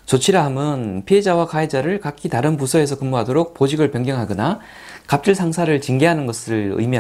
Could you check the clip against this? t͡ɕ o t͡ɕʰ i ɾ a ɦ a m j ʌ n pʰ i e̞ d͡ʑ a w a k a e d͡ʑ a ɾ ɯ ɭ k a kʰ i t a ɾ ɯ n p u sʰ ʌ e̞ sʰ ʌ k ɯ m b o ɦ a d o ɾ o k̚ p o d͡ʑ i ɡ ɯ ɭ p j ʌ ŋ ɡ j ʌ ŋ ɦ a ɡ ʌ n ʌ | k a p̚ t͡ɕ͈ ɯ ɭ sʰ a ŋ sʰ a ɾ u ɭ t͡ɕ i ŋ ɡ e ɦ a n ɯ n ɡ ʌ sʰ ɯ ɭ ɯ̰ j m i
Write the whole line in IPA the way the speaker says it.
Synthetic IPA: t͡ɕ o t͡ɕʰ i ɾ a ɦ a m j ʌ n pʰ i e̞ d͡ʑ a w a k a e d͡ʑ a ɾ ɯ ɭ k a kʰ i t a ɾ ɯ n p u sʰ ʌ e̞ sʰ ʌ k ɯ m b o ɦ a d o ɾ o k̚ p o d͡ʑ i ɡ ɯ ɭ p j ʌ ŋ ɡ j ʌ ŋ ɦ a ɡ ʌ n a | k a p̚ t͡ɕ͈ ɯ ɭ sʰ a ŋ sʰ a ɾ ɯ ɭ t͡ɕ i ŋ ɡ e ɦ a n ɯ n ɡ ʌ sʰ ɯ ɭ ɯ̰ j m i